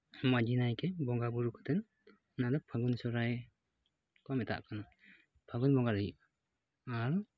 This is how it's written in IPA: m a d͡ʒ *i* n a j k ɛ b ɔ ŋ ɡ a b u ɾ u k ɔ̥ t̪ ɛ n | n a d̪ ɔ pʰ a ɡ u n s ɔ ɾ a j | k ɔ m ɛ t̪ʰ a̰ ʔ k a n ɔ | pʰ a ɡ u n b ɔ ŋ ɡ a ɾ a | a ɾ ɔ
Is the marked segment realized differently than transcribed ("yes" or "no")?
no